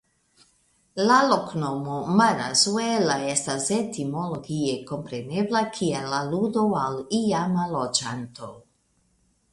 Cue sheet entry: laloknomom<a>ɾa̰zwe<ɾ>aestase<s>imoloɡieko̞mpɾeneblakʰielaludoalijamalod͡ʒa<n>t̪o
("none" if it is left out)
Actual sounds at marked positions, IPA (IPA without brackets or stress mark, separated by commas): a, l, t, n